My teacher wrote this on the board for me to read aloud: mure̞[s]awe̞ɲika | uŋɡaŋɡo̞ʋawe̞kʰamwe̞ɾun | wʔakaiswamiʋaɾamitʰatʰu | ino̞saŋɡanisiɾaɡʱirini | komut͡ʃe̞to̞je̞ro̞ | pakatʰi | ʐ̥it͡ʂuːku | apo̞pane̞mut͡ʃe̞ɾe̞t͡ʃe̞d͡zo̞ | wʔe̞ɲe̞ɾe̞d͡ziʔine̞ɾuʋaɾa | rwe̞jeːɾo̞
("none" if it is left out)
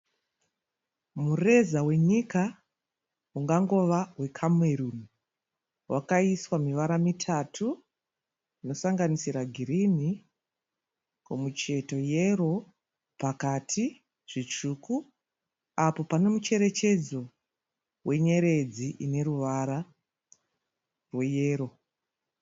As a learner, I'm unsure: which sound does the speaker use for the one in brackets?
z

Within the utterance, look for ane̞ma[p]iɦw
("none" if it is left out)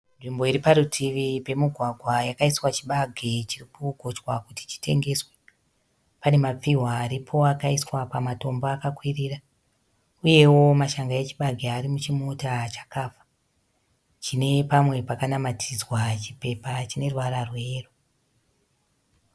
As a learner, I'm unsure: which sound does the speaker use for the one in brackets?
p͡f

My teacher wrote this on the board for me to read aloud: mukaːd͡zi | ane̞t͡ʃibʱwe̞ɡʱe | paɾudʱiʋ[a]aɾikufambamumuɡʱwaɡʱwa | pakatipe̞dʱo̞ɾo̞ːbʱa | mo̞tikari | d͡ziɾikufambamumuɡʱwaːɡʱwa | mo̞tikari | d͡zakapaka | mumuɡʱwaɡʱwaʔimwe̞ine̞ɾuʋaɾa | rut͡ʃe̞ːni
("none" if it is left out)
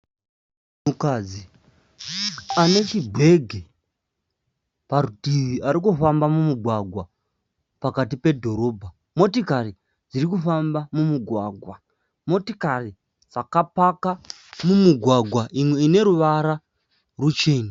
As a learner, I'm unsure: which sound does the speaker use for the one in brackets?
i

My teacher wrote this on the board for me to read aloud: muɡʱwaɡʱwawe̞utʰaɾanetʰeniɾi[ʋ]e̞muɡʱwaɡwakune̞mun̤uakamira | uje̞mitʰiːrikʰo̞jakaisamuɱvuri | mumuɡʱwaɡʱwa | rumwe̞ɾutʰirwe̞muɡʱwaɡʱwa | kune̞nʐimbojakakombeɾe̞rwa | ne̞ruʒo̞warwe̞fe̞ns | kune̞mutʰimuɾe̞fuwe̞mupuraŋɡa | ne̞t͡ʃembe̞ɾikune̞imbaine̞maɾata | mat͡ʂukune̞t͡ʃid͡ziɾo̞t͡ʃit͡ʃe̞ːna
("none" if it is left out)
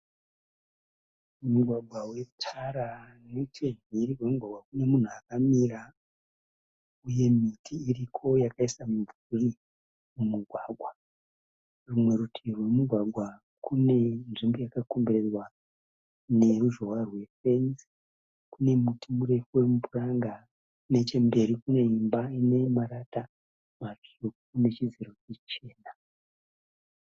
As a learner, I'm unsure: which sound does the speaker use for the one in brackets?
w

